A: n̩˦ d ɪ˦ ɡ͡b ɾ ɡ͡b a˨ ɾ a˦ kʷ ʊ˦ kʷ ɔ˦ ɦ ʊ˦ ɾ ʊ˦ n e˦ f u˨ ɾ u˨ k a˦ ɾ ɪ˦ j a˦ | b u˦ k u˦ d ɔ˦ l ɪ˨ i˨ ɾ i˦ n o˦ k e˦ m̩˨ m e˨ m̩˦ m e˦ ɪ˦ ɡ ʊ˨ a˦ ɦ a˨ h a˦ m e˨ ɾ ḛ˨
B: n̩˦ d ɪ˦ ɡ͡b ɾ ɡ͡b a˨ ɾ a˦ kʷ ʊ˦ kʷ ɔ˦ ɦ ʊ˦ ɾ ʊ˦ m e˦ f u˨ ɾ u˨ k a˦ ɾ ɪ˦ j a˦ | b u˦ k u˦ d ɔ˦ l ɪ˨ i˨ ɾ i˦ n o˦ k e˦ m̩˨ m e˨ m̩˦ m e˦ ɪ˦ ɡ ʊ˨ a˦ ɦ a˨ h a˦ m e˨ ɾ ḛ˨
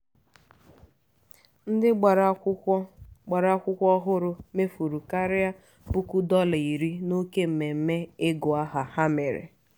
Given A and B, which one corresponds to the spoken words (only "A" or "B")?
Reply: B